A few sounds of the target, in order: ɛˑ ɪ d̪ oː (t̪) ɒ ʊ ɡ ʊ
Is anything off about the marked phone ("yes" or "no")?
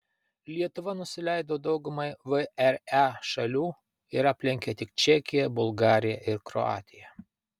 yes